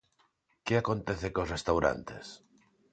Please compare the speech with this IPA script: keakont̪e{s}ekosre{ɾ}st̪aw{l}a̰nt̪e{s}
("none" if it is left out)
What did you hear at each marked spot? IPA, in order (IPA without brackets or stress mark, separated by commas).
θ, none, ɾ, s